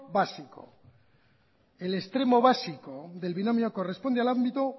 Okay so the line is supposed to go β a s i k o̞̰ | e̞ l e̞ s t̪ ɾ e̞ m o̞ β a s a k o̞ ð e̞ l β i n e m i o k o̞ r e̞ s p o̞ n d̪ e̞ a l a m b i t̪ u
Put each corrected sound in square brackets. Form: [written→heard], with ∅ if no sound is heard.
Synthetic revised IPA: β a s i k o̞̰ | e̞ l e̞ s t̪ ɾ e̞ m o̞ β a s [a→i] k o̞ ð e̞ l β i n [e→a] m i o k o̞ r e̞ s p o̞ n d̪ e̞ a l a m b i t̪ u